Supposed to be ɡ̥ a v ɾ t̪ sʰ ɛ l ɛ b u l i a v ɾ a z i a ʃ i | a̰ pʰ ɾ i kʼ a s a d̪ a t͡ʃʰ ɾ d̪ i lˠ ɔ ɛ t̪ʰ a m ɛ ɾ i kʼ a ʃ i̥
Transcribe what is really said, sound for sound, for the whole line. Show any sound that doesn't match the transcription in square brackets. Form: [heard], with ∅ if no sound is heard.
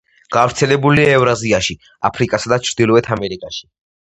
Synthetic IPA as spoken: ɡ̥ a v ɾ t̪ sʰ ɛ l ɛ b u l i [ɛ] v ɾ a z i a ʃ i | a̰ pʰ ɾ i kʼ a s a d̪ a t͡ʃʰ ɾ d̪ i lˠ ɔ ɛ t̪ʰ a m ɛ ɾ i kʼ a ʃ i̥